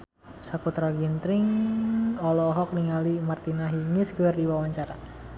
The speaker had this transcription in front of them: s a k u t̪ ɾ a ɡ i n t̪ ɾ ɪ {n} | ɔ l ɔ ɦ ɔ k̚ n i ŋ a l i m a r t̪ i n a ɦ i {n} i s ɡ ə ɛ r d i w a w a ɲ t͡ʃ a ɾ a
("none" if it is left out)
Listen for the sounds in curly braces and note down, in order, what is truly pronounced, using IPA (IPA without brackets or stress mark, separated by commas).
ŋ, ŋ